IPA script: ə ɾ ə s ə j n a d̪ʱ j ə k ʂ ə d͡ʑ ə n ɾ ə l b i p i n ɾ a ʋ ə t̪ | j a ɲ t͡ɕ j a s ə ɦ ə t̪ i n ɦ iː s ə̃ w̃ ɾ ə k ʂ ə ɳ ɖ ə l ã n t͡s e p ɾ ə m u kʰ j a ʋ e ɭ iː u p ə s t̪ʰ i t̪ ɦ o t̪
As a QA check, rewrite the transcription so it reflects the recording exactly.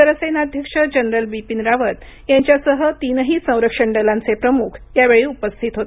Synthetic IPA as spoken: ə ɾ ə s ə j n a d̪ʱ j ə k ʂ ə d͡ʑ ə n ɾ ə l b i p i n ɾ a ʋ ə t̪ | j a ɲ t͡ɕ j a s ə ɦ ə t̪ i n ɦ iː s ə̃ w̃ ɾ ə k ʂ ə ɳ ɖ ə l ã n t͡s e p ɾ ə m u kʰ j a ʋ e ɭ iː u p ə s t̪ʰ i t̪ ɦ o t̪